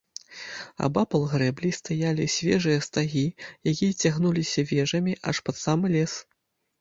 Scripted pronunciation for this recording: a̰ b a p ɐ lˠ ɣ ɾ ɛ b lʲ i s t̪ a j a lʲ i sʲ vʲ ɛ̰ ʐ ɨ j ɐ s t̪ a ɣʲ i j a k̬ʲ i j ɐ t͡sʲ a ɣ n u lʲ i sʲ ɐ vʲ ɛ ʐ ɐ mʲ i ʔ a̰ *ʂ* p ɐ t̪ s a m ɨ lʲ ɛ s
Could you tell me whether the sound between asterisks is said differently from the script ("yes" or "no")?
no